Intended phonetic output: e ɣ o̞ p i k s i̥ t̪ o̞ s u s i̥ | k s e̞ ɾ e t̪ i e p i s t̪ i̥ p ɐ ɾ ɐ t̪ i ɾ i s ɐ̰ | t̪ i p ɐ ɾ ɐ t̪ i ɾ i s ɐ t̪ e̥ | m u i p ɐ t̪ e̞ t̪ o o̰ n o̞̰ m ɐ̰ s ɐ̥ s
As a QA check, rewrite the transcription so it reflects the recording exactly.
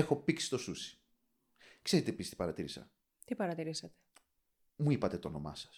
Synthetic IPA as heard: e x o̞ p i k s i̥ t̪ o̞ s u s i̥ | k s e̞ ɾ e t̪ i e p i s t̪ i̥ p ɐ ɾ ɐ t̪ i ɾ i s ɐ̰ | t̪ i p ɐ ɾ ɐ t̪ i ɾ i s ɐ t̪ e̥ | m u i p ɐ t̪ e̞ t̪ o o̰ n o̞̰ m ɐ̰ s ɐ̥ s